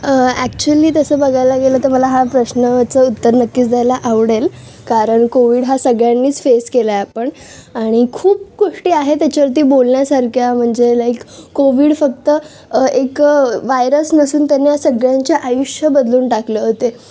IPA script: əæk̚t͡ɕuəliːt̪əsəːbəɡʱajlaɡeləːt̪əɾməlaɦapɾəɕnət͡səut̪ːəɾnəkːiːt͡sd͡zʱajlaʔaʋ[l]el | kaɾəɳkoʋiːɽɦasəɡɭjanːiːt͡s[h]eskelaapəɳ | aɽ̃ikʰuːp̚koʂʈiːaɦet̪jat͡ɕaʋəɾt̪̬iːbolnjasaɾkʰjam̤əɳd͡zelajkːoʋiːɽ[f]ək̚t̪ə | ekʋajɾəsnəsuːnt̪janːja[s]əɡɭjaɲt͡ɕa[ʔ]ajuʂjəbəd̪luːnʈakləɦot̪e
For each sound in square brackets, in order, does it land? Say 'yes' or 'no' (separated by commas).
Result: no, no, yes, yes, yes